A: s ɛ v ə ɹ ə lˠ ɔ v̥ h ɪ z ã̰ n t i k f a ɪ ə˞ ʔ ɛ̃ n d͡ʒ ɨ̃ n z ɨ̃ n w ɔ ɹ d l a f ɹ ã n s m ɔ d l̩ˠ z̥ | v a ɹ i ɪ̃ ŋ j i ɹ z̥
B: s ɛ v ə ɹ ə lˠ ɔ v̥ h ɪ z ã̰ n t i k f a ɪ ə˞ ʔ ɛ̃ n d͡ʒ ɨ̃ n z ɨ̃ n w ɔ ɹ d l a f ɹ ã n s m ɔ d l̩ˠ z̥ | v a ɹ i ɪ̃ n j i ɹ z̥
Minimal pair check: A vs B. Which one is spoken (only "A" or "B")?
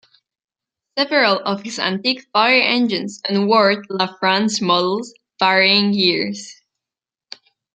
A